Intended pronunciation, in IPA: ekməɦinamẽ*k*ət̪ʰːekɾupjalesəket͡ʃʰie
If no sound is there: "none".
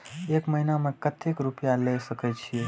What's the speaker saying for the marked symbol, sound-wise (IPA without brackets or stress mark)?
k